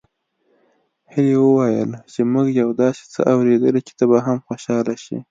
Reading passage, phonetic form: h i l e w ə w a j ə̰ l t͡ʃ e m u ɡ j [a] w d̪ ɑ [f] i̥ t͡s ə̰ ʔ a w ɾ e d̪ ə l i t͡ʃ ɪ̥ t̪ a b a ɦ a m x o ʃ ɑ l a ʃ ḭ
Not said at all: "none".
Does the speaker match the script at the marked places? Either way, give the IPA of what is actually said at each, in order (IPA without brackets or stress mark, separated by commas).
a, s